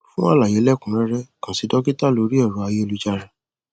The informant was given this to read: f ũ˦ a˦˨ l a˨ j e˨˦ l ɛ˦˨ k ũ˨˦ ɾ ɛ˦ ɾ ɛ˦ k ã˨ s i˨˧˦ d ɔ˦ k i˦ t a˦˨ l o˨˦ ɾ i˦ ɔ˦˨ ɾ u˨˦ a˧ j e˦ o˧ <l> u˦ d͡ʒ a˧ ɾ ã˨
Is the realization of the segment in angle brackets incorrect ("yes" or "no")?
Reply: no